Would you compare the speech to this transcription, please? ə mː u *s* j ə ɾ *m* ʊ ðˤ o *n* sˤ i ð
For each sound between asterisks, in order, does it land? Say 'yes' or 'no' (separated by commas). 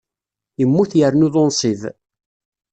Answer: no, no, yes